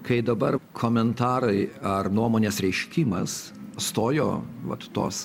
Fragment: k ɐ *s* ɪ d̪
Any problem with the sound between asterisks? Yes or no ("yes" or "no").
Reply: yes